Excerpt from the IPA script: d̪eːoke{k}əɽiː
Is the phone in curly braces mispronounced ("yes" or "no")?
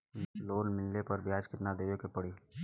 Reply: yes